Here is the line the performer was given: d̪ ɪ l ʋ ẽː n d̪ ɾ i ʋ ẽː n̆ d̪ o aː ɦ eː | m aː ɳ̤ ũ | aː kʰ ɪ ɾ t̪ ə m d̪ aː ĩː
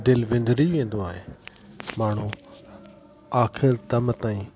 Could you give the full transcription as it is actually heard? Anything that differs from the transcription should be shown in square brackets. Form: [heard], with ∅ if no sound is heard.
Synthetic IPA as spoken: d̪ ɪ l ʋ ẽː n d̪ ɾ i ʋ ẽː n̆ d̪ o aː ɦ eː | m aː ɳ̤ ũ | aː kʰ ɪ ɾ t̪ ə m [t̪] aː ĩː